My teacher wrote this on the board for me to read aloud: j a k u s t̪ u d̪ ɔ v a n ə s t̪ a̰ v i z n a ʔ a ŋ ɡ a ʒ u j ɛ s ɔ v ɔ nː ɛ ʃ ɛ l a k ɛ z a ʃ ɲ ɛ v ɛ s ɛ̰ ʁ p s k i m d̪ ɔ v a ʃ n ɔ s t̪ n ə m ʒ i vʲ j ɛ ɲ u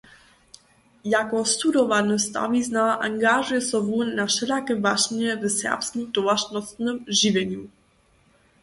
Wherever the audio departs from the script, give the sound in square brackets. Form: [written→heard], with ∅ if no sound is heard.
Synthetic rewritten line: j a k [u→ɔ] s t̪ u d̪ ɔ v a n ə s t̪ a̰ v i z n a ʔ a ŋ ɡ a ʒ u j ɛ s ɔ v [ɔ→u] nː [ɛ→a] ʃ ɛ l a k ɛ [z→v] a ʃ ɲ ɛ v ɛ s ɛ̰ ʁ p s k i m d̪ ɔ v a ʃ n ɔ s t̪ n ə m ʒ i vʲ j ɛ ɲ u

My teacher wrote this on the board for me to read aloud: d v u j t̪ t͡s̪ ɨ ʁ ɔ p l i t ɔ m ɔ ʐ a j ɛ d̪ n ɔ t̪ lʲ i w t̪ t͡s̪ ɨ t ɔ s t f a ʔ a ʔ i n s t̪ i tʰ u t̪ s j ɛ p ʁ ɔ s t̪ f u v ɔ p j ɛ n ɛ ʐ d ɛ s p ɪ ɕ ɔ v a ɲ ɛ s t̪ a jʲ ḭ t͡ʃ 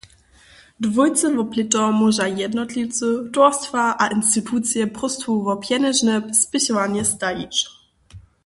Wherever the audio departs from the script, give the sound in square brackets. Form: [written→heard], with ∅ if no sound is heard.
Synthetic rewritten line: d v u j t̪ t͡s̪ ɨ [ʁ→v] ɔ p l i t ɔ m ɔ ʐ a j ɛ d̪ n ɔ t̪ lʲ i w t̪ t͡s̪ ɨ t ɔ s t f a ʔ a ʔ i n s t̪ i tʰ u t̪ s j ɛ p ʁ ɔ s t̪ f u v ɔ p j ɛ n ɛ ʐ [d→n] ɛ s p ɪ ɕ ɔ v a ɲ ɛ s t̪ a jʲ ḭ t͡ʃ

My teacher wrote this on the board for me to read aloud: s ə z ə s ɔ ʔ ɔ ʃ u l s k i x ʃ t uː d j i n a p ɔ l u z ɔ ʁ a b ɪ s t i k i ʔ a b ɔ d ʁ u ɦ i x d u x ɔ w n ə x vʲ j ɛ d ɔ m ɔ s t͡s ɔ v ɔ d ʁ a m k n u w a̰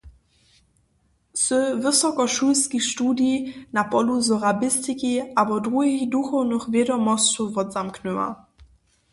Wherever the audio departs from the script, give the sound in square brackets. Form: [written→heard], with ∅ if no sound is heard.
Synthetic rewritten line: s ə [z→v] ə s ɔ [ʔ→k] ɔ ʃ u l s k i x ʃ t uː d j i n a p ɔ l u z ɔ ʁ a b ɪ s t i k i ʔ a b ɔ d ʁ u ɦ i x d u x ɔ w n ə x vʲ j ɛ d ɔ m ɔ s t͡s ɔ v ɔ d [ʁ→z] a m k n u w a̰

